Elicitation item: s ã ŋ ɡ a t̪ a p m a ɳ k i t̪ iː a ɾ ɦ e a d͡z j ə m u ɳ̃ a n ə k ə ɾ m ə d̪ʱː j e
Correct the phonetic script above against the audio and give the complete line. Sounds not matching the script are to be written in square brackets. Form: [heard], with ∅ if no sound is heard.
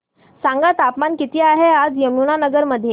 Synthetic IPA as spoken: s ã ŋ ɡ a t̪ a p m a [n] k i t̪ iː a [∅] ɦ e a d͡z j ə m u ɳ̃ a n ə [ɡ] ə ɾ m ə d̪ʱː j e